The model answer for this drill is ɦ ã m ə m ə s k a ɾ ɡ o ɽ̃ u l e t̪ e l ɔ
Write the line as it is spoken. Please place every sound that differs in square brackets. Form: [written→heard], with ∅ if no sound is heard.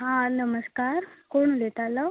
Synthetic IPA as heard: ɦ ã [m→n] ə m ə s k a ɾ [ɡ→k] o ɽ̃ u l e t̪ [e→a] l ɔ

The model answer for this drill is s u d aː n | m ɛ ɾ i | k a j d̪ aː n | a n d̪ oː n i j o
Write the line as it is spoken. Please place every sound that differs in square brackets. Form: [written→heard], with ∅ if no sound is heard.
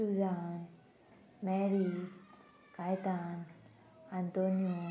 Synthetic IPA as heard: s u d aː n | m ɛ ɾ i | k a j [d̪→t̪] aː n | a n [d̪→t̪] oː n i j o

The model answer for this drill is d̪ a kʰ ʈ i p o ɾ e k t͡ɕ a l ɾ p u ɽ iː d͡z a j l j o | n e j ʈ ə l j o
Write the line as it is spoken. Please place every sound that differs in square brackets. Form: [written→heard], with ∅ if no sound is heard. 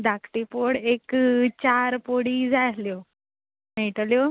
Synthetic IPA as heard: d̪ a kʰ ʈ i p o [ɾ→ɽ] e k t͡ɕ a [l→∅] ɾ p [u→o] ɽ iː d͡z a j l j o | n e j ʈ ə l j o

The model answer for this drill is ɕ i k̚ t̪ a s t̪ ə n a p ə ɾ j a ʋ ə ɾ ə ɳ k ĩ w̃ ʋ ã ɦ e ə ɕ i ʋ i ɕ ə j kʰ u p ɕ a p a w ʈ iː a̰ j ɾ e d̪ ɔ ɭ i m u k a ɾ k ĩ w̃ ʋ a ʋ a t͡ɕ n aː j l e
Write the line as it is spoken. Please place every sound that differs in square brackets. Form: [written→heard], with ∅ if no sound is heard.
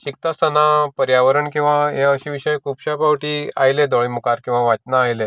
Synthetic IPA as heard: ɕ i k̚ t̪ a s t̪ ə n a p ə ɾ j a ʋ ə ɾ ə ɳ k ĩ w̃ ʋ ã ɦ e ə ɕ i ʋ i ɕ ə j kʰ u p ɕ a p a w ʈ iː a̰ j [ɾ→l] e d̪ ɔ ɭ i m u k a ɾ k ĩ w̃ ʋ a ʋ a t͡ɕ n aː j l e

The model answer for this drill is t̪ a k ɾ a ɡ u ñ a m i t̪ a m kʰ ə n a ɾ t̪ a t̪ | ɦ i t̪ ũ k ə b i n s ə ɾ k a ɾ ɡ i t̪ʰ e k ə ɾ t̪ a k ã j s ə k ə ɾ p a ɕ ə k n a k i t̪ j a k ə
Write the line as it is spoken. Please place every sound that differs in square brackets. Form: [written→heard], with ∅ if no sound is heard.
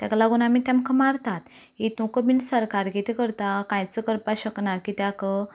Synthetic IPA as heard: t̪ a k [ɾ→l] a ɡ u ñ a m i t̪ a m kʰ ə [n→m] a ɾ t̪ a t̪ | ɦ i t̪ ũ k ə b i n s ə ɾ k a ɾ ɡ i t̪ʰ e k ə ɾ t̪ a k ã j [s→t͡s] ə k ə ɾ p a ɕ ə k n a k i t̪ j a k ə

